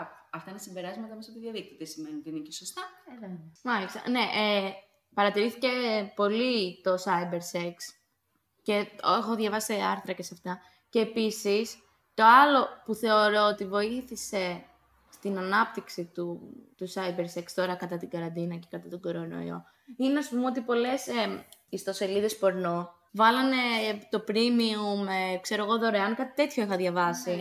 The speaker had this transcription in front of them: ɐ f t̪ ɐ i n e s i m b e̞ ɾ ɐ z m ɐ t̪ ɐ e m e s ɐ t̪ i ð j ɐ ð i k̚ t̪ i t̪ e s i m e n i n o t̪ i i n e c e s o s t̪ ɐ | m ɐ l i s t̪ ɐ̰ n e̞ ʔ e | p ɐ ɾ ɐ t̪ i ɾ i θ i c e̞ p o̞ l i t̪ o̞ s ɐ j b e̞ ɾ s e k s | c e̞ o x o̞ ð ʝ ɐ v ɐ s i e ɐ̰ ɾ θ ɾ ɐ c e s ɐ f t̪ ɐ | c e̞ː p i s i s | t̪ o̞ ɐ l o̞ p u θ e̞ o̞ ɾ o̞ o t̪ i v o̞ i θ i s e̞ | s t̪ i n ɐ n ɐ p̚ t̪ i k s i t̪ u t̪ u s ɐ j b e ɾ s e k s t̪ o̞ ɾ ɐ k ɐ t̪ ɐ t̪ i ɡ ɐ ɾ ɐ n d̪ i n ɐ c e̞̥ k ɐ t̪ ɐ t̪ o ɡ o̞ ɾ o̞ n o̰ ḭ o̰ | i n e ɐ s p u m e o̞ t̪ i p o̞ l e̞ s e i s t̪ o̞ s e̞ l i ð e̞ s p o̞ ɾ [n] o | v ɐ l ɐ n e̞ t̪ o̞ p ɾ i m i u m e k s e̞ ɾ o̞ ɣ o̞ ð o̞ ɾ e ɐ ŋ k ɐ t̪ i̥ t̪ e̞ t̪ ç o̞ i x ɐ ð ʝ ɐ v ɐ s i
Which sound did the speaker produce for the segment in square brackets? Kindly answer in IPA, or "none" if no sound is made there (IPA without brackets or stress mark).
n